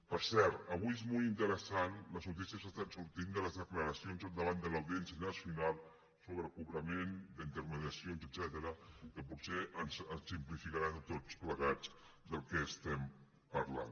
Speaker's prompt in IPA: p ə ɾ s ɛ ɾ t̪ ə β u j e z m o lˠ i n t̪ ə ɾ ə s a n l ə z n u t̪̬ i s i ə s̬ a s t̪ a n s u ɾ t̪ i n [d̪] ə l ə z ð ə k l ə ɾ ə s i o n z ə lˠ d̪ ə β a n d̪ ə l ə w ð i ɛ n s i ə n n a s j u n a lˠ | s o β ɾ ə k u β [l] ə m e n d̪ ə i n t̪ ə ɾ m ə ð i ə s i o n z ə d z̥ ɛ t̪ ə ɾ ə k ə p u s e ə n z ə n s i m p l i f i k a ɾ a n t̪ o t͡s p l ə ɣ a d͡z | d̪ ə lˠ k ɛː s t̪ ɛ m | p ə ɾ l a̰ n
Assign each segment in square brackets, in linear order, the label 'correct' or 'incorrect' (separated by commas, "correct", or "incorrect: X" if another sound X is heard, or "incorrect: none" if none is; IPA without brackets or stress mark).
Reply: correct, incorrect: ɾ